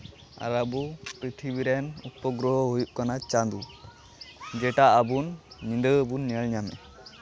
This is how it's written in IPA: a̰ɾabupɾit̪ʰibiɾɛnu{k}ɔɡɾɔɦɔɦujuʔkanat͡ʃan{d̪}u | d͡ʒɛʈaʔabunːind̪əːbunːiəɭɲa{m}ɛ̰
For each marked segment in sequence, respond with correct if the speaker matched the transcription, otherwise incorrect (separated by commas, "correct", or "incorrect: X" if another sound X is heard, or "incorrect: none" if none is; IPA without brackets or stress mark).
incorrect: p, correct, correct